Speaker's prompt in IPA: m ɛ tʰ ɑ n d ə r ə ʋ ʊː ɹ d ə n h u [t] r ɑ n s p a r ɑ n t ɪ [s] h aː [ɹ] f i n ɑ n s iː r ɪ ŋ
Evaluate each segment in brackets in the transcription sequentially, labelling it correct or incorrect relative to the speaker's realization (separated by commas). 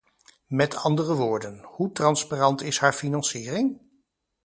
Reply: correct, correct, correct